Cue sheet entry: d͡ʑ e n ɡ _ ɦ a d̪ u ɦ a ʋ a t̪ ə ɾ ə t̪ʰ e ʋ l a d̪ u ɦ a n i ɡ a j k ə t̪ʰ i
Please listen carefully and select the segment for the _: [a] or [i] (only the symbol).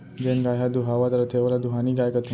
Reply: a